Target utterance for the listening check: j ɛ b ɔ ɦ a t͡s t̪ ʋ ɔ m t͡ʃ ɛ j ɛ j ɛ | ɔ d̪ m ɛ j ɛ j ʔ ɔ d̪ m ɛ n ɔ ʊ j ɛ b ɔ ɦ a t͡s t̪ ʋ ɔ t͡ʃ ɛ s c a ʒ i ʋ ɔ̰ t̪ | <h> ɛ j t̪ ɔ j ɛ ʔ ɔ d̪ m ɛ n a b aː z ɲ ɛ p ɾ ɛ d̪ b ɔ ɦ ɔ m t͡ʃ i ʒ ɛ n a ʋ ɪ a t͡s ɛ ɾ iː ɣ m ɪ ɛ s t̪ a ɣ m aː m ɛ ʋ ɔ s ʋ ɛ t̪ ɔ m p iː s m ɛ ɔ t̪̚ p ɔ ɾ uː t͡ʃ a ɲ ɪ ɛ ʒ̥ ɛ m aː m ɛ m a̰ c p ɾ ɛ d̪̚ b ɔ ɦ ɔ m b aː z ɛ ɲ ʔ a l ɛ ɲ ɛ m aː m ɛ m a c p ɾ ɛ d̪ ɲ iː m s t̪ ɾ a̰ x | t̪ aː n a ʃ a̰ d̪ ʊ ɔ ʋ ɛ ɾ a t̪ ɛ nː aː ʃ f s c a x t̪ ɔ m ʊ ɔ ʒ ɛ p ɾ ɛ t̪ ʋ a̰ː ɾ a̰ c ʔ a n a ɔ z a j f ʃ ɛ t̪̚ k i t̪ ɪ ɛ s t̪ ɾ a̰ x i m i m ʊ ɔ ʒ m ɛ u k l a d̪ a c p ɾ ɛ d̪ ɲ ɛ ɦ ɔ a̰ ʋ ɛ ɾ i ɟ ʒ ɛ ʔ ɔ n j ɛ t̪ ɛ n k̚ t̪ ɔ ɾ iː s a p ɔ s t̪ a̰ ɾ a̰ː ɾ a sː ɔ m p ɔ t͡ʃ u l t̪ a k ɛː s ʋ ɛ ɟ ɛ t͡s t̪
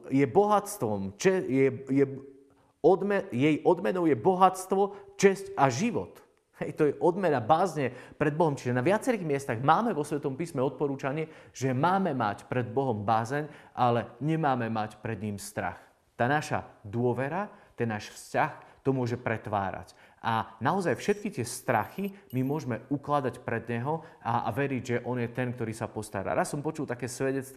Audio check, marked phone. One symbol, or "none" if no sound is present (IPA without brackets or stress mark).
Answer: h